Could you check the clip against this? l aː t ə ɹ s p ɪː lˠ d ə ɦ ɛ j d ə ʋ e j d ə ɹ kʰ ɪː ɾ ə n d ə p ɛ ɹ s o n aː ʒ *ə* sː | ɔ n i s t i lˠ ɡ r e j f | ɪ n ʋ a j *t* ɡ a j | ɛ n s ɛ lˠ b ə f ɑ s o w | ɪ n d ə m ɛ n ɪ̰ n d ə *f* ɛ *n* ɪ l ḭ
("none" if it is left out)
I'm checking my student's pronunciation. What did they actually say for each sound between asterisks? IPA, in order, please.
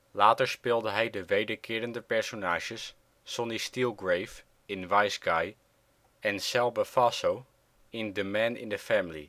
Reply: ə, s, f, m

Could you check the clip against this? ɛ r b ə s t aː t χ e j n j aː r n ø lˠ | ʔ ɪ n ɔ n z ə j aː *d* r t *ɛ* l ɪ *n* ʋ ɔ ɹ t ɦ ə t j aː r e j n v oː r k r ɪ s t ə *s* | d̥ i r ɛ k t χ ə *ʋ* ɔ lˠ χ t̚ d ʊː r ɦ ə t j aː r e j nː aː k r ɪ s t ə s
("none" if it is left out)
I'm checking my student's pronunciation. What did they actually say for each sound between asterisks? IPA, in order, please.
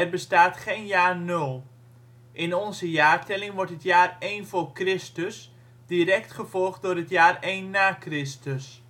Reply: none, ɛ, ŋ, s, v

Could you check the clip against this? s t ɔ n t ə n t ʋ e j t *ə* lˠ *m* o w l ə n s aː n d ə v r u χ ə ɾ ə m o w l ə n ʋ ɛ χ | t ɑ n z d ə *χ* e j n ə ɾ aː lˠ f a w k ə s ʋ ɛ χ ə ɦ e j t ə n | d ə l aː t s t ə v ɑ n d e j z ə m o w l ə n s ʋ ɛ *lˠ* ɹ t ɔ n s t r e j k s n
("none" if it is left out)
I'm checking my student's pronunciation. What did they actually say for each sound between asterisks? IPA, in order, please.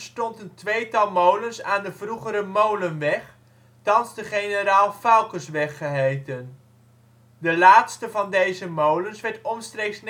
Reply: ɑ, m, χ, none

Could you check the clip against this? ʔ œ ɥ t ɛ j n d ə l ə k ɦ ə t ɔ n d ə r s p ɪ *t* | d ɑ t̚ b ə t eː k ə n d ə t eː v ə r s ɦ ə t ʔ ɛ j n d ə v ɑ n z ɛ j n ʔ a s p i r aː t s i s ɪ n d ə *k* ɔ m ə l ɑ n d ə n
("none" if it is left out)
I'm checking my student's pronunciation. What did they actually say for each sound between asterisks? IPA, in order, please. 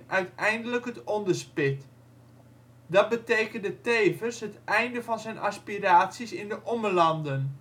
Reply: t, ʔ

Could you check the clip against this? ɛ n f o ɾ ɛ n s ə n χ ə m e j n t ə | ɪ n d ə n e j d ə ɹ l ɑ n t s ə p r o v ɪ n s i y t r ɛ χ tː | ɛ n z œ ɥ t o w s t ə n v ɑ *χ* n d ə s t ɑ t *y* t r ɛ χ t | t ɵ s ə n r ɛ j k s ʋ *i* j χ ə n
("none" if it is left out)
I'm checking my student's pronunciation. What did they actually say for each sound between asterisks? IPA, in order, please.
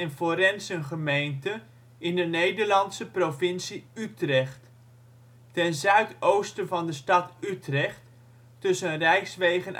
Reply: none, y, e

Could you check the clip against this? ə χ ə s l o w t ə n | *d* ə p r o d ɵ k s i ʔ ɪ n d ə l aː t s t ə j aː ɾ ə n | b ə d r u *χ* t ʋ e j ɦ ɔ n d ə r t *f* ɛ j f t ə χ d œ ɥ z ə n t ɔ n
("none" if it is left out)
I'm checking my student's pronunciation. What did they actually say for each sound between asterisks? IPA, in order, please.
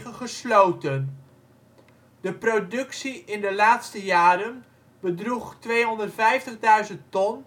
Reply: d, χ, f

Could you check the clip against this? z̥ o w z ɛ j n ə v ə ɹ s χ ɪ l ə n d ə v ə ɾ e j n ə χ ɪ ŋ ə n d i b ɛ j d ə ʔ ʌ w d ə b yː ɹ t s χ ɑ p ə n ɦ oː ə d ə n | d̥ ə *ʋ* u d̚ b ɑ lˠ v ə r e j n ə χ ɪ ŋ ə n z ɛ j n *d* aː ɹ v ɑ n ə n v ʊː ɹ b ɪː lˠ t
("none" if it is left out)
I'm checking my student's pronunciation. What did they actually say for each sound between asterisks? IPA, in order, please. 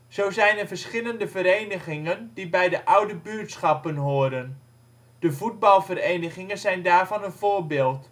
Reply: v, d

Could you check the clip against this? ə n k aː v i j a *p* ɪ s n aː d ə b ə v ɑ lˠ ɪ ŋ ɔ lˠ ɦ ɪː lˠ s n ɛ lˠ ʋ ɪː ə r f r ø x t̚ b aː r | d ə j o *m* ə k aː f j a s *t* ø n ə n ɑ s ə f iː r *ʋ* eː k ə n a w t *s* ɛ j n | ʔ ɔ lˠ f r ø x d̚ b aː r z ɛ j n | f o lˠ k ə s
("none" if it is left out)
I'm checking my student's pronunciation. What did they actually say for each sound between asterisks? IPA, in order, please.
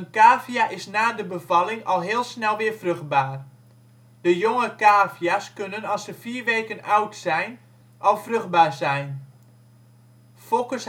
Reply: ʔ, ŋ, k, ʋ, s

